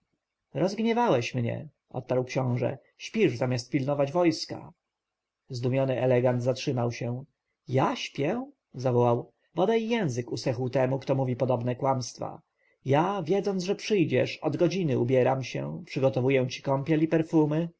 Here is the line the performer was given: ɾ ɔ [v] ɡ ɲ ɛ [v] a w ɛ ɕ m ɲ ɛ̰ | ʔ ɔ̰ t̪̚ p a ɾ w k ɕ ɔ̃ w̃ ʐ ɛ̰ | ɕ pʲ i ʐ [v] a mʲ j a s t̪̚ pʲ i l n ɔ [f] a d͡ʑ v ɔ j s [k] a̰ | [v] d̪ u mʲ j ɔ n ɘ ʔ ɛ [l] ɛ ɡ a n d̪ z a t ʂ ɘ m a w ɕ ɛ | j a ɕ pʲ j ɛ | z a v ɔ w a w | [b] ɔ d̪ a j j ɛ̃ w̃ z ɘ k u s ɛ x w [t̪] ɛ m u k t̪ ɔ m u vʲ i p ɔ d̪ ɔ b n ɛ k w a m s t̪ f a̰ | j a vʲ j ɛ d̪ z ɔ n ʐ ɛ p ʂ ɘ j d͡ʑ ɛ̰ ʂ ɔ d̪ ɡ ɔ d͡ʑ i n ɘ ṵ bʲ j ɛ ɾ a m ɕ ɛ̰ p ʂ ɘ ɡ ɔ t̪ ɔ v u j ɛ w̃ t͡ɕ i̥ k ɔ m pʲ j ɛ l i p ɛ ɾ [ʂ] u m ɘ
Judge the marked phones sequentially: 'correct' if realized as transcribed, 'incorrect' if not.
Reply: incorrect: z, correct, incorrect: z, incorrect: v, correct, incorrect: z, correct, correct, correct, incorrect: f

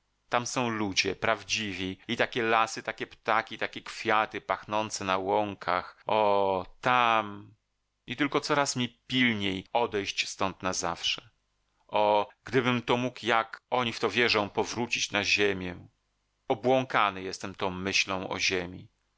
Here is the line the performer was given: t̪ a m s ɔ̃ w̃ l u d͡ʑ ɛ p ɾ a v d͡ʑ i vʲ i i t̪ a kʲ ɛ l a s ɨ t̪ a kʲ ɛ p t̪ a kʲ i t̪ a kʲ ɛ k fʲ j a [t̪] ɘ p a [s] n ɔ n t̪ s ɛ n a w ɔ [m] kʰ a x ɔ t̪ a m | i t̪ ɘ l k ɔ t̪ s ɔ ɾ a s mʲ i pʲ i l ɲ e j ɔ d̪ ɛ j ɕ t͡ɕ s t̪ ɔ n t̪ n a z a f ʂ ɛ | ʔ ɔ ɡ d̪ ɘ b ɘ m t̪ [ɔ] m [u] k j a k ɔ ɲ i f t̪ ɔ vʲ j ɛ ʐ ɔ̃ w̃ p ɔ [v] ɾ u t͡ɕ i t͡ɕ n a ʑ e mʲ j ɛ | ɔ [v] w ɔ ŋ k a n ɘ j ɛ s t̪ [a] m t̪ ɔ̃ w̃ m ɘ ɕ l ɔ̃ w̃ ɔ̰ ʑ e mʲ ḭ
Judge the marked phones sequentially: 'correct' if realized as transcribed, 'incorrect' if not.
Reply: correct, incorrect: x, incorrect: ŋ, correct, correct, correct, incorrect: b, incorrect: ɛ

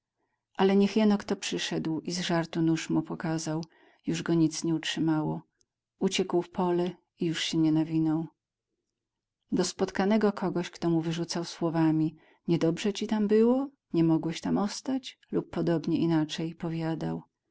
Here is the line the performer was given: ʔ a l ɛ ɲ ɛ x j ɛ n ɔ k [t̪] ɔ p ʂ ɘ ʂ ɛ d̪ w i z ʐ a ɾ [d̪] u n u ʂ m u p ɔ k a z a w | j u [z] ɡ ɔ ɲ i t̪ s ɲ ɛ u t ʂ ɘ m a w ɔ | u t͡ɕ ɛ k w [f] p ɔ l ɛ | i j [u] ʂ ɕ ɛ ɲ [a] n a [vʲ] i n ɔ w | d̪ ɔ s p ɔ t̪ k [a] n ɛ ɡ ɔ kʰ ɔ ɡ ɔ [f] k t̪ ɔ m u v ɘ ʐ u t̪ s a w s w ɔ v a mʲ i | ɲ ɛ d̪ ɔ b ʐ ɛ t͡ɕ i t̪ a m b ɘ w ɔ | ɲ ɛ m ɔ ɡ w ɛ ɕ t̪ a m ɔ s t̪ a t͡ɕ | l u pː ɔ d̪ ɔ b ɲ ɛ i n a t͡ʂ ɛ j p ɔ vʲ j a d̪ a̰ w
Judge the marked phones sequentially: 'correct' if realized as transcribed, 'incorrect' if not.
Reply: correct, incorrect: t̪, incorrect: ʐ, correct, correct, incorrect: ɛ, correct, correct, incorrect: ɕ

